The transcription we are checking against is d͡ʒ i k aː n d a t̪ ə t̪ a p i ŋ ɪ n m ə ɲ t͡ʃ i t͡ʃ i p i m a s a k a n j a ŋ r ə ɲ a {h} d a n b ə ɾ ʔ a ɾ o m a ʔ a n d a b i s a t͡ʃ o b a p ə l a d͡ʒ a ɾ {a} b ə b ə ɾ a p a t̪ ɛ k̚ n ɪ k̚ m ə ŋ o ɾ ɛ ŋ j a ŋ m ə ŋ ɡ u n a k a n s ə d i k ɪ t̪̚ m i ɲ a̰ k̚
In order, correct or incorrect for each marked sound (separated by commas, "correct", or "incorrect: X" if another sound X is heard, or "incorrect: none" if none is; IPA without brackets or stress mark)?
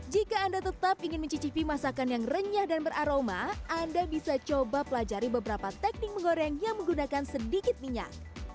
correct, incorrect: i